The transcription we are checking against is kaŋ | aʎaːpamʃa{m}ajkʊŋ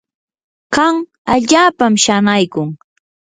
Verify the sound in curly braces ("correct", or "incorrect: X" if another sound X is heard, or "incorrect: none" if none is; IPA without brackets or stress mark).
incorrect: n